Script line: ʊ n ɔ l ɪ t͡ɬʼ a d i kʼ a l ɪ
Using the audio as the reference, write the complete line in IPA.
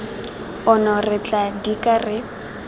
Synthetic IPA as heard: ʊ n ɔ r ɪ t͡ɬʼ a d i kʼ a r ɪ